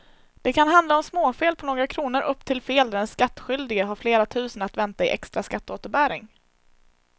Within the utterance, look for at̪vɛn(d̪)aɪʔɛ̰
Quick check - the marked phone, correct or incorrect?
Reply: incorrect